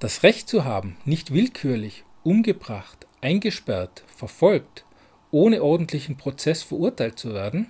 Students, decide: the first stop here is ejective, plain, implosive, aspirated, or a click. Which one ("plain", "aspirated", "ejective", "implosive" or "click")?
plain